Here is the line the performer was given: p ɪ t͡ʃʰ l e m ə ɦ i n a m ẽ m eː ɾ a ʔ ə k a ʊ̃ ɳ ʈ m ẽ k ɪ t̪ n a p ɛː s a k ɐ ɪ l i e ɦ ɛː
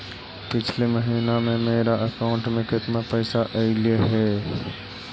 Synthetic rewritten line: p ɪ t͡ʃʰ l e m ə ɦ iː n a m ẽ m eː ɾ a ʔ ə k a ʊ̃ ɳ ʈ m ẽ k ɪ t̪ n a p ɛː s a ʔ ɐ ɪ l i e ɦ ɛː